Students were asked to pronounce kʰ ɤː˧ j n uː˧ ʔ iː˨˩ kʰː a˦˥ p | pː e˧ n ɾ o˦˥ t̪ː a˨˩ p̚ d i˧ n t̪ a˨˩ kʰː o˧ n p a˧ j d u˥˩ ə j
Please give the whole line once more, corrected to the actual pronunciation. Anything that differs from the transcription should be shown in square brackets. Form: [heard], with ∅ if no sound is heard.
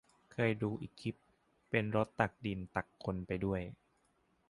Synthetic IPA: kʰ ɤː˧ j [d] uː˧ ʔ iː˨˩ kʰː [i˦˥] p | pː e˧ n ɾ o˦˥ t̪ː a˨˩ [k̚] d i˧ n t̪ a˨˩ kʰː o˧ n p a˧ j d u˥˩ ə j

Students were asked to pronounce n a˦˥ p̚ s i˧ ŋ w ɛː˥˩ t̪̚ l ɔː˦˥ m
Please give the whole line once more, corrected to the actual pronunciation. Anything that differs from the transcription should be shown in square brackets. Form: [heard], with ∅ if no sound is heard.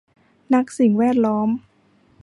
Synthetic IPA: n a˦˥ [k̚] s [i˨˩] ŋ w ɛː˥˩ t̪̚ l ɔː˦˥ m

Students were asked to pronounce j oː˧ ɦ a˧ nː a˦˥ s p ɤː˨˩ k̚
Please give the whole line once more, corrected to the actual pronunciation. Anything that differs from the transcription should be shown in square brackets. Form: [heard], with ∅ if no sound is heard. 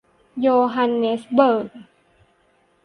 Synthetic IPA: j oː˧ ɦ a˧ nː [e˦˥] s [b] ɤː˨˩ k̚

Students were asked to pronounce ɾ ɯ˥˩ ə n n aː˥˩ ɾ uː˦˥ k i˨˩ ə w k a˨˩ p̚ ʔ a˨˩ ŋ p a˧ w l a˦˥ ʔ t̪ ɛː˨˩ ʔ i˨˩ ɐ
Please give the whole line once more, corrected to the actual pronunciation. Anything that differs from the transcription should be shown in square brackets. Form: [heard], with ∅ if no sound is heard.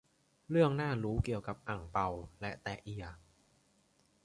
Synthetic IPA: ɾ ɯ˥˩ ə [ŋ] n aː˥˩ ɾ uː˦˥ k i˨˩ ə w k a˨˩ p̚ ʔ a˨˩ ŋ p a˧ w l [ɛ˦˥] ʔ t̪ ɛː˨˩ ʔ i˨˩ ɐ

